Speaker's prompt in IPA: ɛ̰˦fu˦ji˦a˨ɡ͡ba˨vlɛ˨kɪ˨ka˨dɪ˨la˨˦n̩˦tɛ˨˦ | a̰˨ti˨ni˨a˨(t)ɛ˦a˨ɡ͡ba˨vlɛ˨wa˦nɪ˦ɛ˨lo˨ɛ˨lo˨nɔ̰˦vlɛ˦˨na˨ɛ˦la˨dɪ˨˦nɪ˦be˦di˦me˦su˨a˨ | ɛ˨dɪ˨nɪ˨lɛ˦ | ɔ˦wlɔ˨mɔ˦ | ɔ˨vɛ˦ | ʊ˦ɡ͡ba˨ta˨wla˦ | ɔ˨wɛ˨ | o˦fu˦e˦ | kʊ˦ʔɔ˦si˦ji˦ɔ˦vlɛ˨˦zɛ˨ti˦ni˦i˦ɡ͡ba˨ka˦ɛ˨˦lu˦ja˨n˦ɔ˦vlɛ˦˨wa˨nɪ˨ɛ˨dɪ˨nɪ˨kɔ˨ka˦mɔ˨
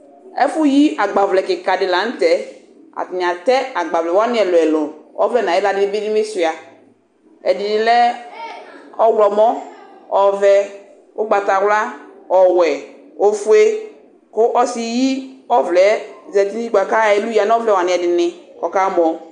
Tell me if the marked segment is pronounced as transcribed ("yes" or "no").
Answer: yes